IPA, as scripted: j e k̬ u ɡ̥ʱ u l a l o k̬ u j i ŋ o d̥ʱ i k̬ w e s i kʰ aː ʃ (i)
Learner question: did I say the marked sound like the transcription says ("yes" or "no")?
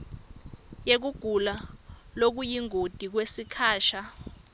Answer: no